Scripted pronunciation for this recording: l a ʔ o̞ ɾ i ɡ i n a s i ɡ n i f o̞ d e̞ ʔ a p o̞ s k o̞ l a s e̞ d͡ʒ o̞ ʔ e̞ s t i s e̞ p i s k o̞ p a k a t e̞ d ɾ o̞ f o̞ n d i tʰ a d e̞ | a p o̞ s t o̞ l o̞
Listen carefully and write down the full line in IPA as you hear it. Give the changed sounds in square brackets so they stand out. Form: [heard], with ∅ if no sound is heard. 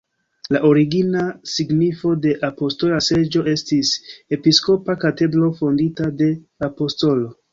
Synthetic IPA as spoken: l a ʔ o̞ ɾ i ɡ i n a s i ɡ n i f o̞ d e̞ ʔ a p o̞ s [t] o̞ l a s e̞ d͡ʒ o̞ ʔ e̞ s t i s e̞ p i s k o̞ p a k a t e̞ d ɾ o̞ f o̞ n d i [t] a d e̞ | a p o̞ s t o̞ l o̞